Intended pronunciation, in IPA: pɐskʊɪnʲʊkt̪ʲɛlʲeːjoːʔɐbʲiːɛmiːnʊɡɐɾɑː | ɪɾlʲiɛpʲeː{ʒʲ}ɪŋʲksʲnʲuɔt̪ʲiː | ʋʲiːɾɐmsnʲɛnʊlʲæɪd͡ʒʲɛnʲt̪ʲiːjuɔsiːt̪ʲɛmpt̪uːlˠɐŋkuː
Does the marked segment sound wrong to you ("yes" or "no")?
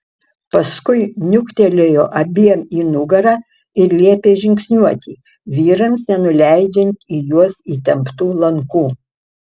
no